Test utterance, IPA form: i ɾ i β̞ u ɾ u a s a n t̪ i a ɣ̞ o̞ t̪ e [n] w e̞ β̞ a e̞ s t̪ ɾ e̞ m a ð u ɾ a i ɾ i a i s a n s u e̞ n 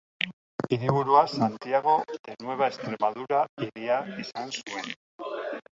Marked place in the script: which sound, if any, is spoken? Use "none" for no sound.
n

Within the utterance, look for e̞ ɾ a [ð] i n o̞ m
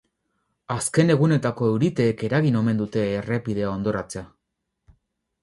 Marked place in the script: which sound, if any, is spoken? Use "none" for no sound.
ɣ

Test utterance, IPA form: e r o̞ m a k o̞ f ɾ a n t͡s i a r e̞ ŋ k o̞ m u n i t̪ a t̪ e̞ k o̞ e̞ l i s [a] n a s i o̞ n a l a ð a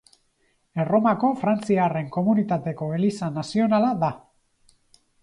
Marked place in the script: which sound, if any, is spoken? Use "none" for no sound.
a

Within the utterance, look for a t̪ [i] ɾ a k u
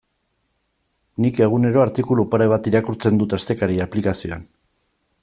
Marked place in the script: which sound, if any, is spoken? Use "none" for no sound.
i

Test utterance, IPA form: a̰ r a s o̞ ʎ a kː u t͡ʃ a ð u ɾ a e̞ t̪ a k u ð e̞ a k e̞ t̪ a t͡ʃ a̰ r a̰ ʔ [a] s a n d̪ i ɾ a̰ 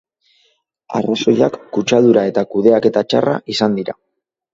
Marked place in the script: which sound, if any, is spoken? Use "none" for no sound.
i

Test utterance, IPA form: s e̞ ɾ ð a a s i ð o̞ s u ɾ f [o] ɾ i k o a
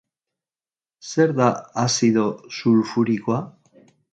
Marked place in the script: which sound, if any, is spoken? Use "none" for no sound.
u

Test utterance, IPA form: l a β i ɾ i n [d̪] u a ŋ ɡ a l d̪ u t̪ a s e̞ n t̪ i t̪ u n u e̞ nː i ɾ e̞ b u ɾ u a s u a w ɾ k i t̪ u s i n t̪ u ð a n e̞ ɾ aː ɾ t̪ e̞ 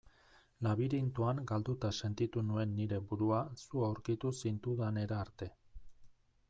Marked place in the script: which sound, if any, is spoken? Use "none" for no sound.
t̪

